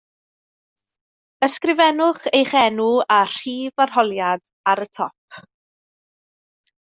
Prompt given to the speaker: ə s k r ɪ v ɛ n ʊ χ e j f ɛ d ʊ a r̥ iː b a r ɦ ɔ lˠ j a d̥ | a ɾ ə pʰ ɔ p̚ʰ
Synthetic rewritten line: ə s k r ɪ v ɛ n ʊ χ e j χ ɛ n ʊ a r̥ iː v a r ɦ ɔ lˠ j a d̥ | a ɾ ə tʰ ɔ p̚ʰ